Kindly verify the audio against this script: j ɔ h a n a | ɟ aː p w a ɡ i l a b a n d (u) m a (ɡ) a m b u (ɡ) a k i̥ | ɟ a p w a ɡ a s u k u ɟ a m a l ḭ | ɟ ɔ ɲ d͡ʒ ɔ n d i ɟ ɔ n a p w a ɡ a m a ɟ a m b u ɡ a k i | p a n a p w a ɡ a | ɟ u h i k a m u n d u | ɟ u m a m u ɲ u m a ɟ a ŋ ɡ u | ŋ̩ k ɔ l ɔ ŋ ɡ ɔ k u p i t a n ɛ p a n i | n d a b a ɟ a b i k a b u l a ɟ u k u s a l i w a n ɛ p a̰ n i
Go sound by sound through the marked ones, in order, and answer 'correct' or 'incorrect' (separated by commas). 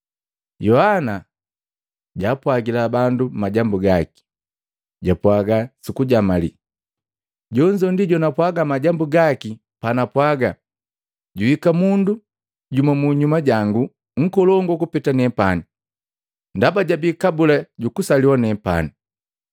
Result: correct, incorrect, correct